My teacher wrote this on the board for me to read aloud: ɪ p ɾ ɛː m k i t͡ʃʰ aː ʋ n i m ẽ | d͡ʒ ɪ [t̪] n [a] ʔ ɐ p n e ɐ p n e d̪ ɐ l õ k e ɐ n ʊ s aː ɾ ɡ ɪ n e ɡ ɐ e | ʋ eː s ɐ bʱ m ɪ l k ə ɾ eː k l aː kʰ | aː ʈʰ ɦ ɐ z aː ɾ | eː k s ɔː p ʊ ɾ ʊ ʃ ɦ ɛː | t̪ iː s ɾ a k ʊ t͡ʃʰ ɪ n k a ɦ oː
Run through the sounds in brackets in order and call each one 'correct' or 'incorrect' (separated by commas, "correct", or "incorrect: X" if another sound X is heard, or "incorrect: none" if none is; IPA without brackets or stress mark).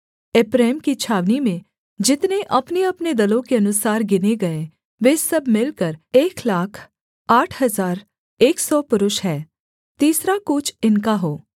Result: correct, incorrect: e